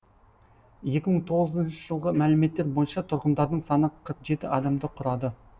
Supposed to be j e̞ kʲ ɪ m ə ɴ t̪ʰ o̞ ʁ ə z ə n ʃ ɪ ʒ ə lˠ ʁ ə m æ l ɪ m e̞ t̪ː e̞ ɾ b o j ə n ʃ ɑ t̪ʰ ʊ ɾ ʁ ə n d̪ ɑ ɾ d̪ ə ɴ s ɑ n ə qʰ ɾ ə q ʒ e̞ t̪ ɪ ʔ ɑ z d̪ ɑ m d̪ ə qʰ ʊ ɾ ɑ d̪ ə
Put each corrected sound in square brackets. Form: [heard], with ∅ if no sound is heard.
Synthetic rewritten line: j e̞ kʲ ɪ m ə ɴ t̪ʰ o̞ ʁ ə z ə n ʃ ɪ ʒ ə lˠ ʁ ə m æ l ɪ m e̞ t̪ː e̞ ɾ b o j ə n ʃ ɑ t̪ʰ ʊ ɾ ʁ ə n d̪ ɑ ɾ d̪ ə ɴ s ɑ n ə qʰ ɾ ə q ʒ e̞ t̪ ɪ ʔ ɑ [∅] d̪ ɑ m d̪ ə qʰ ʊ ɾ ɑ d̪ ə

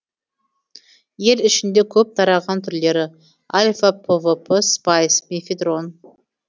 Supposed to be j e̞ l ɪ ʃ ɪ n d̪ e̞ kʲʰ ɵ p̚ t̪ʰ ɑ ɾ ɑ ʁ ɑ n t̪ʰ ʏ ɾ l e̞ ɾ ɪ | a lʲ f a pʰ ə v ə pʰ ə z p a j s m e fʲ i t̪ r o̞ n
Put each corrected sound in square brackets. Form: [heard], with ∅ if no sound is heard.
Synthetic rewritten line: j e̞ l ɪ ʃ ɪ n d̪ e̞ kʲʰ ɵ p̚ t̪ʰ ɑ ɾ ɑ ʁ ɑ n t̪ʰ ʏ ɾ l e̞ ɾ ɪ | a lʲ f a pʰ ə v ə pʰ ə [s] p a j s m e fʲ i [d̪] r o̞ n

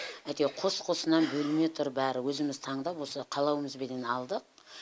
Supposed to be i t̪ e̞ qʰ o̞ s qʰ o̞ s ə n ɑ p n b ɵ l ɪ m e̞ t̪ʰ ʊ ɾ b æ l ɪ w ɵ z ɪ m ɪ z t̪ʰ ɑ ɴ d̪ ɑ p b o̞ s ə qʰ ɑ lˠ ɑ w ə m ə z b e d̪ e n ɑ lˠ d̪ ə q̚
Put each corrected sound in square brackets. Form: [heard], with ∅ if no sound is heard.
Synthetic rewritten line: [æ] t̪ e̞ qʰ o̞ s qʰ o̞ s ə n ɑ [∅] n b ɵ l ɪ m e̞ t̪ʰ ʊ ɾ b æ [ɾ] ɪ w ɵ z ɪ m ɪ z t̪ʰ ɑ ɴ d̪ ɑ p [w] o̞ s ə qʰ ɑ lˠ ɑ w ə m ə z b e d̪ e n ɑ lˠ d̪ ə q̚

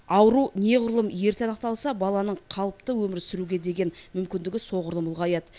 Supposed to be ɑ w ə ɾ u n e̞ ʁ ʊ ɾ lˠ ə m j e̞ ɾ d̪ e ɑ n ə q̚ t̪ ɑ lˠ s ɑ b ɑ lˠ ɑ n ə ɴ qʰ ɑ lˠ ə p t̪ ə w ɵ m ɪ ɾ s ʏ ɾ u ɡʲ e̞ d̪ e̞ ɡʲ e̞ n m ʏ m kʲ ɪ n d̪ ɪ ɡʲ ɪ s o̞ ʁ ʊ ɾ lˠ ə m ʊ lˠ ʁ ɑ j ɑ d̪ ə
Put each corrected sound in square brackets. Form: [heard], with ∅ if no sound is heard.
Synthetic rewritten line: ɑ w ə ɾ u n e̞ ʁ ʊ ɾ lˠ ə m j e̞ ɾ [t̪] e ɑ n ə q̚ t̪ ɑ lˠ s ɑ b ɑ lˠ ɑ n ə ɴ qʰ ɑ lˠ ə p t̪ ə w ɵ m ɪ ɾ s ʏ ɾ u ɡʲ e̞ d̪ e̞ ɡʲ e̞ n m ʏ m kʲ ɪ n d̪ ɪ ɡʲ ɪ s o̞ ʁ ʊ ɾ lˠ ə m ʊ lˠ ʁ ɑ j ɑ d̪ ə

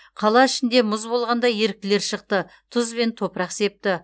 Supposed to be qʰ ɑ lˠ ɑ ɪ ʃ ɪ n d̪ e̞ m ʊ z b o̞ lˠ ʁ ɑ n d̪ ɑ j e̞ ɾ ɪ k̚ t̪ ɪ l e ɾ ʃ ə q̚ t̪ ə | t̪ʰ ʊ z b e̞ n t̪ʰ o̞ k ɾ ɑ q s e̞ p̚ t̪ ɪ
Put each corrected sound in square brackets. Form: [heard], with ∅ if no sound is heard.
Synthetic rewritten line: qʰ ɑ lˠ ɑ ɪ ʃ ɪ n d̪ e̞ m ʊ z b o̞ lˠ ʁ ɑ n d̪ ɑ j e̞ ɾ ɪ k̚ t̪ ɪ l e ɾ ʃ ə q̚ t̪ ə | t̪ʰ ʊ z b e̞ n t̪ʰ o̞ [p] ɾ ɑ q s e̞ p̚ t̪ ɪ

